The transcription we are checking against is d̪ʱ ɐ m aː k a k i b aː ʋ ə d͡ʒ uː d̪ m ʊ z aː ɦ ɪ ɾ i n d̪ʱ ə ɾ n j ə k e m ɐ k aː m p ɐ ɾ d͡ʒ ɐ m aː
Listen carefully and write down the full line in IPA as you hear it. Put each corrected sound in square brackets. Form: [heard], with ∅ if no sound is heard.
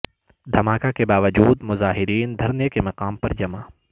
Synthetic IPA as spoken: d̪ʱ ɐ m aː k a k [e] b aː ʋ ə d͡ʒ uː d̪ m ʊ z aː ɦ ɪ ɾ [iː] n d̪ʱ [ɐ] ɾ n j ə k e m ɐ [q] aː m p ɐ ɾ d͡ʒ ɐ m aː